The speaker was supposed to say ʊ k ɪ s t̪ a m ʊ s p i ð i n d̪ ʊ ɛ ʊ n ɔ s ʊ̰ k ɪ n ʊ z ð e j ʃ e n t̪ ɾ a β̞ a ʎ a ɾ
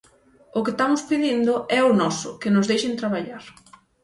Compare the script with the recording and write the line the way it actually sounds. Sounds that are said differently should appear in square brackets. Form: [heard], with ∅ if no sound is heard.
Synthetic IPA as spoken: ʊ k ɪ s t̪ a m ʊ s p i ð i n d̪ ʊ ɛ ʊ n ɔ s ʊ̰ k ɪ n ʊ z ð e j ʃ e n t̪ ɾ a β̞ a ʎ a ɾ